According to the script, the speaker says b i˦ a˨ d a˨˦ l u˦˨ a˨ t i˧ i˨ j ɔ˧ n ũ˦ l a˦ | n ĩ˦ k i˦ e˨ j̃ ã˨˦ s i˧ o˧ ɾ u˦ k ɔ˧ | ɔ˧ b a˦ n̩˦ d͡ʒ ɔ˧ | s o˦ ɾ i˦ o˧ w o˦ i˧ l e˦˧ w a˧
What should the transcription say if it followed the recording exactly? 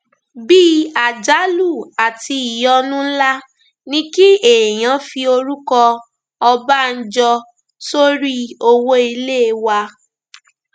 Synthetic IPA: b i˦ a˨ d͡ʒ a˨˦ l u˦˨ a˨ t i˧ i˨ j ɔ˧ n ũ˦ l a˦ | n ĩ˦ k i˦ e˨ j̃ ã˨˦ f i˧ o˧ ɾ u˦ k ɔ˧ | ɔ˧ b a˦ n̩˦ d͡ʒ ɔ˧ | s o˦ ɾ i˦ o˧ w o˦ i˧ l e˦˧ w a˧

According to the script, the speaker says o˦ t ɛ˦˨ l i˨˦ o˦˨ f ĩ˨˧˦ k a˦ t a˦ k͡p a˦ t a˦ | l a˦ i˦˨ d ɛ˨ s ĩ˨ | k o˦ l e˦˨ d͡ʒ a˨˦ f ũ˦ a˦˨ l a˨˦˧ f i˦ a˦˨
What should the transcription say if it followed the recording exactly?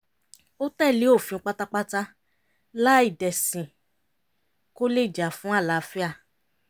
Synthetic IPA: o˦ t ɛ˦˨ l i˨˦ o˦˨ f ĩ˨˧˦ k͡p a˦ t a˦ k͡p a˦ t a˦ | l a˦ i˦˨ d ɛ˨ s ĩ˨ | k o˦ l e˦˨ d͡ʒ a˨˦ f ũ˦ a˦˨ l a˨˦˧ f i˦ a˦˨

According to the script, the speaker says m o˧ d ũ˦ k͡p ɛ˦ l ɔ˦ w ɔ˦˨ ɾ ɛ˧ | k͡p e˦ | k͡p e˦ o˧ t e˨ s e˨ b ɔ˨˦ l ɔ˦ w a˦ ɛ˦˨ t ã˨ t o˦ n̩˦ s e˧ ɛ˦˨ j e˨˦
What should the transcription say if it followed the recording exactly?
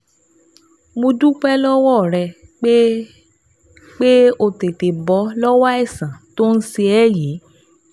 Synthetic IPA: m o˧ d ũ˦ k͡p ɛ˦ l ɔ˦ w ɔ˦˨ ɾ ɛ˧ | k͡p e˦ | k͡p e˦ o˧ t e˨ t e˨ b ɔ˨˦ l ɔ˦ w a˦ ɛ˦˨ s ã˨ t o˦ n̩˦ s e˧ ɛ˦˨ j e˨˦

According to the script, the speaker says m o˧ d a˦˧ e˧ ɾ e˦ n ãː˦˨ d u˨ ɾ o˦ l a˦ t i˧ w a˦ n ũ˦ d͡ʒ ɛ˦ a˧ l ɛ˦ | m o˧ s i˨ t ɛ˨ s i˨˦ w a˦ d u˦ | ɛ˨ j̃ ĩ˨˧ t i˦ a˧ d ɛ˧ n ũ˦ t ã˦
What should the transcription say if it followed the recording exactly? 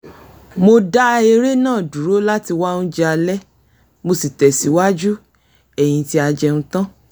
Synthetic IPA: m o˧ d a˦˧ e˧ ɾ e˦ n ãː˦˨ d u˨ ɾ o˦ l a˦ t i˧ w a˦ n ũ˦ d͡ʒ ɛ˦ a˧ l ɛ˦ | m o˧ s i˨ t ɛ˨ s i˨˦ w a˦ d͡ʒ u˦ | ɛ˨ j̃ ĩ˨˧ t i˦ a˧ d͡ʒ ɛ˧ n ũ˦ t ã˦

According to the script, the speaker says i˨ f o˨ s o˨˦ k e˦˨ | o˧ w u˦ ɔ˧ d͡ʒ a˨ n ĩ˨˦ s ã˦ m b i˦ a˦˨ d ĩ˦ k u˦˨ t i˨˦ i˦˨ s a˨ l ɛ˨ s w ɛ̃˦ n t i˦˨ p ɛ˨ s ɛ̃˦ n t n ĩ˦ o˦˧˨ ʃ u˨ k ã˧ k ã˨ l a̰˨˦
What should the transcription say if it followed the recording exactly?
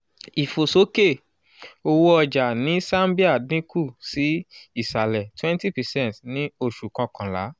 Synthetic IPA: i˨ f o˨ s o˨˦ k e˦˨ | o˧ w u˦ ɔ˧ d͡ʒ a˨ n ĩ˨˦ s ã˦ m b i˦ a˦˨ d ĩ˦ k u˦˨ s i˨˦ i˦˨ s a˨ l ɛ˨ t w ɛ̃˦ n t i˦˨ p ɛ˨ s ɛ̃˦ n t n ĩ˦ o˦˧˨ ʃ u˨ k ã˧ k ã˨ l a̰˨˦

